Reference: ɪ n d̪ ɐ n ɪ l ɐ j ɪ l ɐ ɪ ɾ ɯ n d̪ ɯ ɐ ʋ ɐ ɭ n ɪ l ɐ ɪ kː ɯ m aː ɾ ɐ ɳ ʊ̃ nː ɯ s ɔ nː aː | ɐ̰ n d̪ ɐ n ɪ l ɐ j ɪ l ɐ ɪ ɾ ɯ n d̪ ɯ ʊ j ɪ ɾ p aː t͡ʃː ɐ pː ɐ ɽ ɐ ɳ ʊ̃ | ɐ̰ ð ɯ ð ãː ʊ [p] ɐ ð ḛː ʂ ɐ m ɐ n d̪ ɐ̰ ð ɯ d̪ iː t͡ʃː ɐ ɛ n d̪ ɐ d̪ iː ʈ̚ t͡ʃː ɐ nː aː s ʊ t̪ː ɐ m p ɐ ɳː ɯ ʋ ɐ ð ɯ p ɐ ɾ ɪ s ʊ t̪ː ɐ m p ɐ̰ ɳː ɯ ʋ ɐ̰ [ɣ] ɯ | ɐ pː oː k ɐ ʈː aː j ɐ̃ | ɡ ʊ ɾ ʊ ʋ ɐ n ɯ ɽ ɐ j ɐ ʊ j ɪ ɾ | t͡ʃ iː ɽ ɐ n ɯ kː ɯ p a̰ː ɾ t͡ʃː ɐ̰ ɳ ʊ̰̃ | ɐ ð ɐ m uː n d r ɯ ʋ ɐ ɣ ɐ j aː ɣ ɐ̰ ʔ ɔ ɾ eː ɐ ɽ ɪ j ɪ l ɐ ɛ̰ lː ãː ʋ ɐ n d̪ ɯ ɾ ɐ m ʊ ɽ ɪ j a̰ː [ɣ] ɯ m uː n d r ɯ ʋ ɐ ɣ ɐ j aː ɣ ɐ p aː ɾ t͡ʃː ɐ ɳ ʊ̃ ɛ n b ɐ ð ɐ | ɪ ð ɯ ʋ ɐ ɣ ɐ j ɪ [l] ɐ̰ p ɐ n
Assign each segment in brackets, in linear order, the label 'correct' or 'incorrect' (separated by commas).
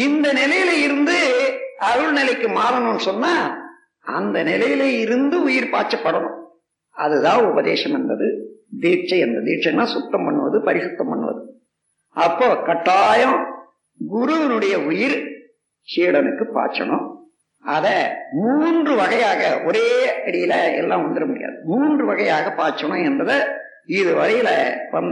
incorrect, incorrect, incorrect, correct